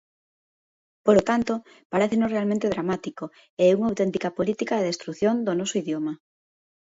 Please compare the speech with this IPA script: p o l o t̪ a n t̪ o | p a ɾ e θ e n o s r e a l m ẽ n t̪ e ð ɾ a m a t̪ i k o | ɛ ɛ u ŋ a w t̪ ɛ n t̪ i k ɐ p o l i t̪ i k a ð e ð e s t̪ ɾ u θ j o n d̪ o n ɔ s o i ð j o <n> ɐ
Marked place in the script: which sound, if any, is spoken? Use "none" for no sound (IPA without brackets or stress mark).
m